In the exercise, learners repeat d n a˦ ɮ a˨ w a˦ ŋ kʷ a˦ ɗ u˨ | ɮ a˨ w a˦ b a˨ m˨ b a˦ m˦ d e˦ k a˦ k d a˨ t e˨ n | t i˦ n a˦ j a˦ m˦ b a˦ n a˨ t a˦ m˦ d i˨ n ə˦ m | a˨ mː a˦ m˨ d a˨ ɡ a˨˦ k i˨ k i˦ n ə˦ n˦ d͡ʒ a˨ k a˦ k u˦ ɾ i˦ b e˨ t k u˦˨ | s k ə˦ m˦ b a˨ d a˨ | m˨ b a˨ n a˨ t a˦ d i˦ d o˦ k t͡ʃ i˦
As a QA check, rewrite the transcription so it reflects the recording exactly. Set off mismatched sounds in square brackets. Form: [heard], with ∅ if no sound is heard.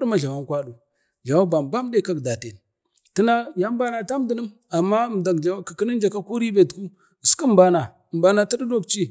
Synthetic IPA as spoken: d [m] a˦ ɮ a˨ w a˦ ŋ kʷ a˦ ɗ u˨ | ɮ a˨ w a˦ b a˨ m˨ b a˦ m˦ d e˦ k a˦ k d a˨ t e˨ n | t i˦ n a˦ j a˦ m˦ b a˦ n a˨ t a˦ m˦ d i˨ n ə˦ m | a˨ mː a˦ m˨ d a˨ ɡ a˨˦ k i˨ k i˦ n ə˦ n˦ d͡ʒ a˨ k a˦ k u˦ ɾ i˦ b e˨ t k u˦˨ | s k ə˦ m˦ b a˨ [n] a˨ | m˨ b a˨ n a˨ t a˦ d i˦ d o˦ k t͡ʃ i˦

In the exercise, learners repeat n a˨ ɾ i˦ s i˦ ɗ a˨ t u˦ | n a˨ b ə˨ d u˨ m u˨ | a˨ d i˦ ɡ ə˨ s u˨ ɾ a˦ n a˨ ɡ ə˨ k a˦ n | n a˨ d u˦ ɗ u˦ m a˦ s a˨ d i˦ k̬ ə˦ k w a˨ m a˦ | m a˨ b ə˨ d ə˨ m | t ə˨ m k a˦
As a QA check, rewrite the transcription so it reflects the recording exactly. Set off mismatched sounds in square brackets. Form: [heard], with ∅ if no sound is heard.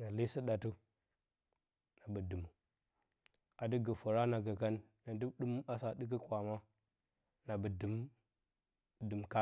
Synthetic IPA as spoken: n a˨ [l] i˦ s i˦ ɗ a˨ t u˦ | n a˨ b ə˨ d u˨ m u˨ | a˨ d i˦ ɡ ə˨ [f] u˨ ɾ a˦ n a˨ ɡ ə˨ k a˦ n | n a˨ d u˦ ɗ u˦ m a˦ s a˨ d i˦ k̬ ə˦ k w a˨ m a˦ | [n] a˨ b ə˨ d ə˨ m | [d] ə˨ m k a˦

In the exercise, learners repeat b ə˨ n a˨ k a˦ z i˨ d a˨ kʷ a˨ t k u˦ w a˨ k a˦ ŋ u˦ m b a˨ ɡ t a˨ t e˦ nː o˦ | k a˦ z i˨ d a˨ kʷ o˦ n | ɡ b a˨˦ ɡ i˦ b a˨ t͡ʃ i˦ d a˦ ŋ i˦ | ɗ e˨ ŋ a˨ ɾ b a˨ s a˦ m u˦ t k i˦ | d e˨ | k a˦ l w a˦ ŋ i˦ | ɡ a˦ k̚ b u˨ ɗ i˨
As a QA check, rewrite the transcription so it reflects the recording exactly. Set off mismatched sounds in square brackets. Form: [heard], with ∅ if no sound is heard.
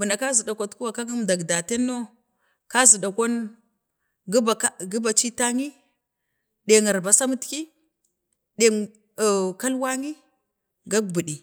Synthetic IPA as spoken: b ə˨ n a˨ k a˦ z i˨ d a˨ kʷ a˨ t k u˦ w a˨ k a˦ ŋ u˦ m [d] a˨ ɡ [d] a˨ t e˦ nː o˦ | k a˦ z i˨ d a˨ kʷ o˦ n | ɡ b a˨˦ ɡ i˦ b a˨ t͡ʃ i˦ [t] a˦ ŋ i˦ | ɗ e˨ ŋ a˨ ɾ b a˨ s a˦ m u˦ t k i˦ | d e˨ | k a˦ l w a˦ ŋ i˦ | ɡ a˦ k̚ b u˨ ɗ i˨

